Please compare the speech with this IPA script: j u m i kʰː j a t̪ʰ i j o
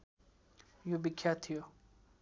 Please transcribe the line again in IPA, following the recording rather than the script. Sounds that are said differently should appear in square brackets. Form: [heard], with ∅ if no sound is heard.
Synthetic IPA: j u [b] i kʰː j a t̪ʰ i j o